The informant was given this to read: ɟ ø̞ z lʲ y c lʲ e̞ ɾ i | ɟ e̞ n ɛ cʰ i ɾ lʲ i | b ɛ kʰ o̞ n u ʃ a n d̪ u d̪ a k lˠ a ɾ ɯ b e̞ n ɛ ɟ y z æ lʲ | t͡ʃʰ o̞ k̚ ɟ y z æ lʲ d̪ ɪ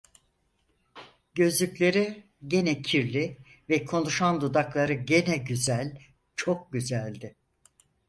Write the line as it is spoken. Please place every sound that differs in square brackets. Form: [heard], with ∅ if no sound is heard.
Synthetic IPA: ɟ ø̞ z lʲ y c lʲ e̞ ɾ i | ɟ e̞ n ɛ cʰ i ɾ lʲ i | [v] ɛ kʰ o̞ n u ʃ a n d̪ u d̪ a k lˠ a ɾ ɯ [ɟ] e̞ n ɛ ɟ y z æ lʲ | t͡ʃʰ o̞ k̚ ɟ y z æ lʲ d̪ ɪ